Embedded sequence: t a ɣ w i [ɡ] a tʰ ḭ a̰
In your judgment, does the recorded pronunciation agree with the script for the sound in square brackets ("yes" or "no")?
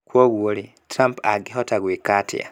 no